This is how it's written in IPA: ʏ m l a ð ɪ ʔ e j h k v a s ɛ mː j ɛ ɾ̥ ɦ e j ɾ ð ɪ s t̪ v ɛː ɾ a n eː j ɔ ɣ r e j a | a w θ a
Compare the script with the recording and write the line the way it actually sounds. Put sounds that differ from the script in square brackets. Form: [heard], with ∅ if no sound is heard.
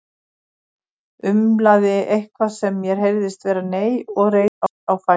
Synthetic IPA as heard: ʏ m l a ð ɪ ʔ e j h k v a s ɛ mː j ɛ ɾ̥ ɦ e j ɾ ð ɪ s t̪ v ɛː ɾ a n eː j ɔ ɣ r e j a | a w [f] a